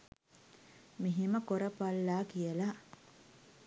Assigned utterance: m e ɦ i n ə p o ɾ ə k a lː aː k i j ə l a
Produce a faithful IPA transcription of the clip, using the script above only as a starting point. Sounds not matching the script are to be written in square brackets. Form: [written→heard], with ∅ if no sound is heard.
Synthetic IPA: m [e→i] ɦ i [n→m] ə [p→k] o ɾ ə [k→p] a lː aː k i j ə l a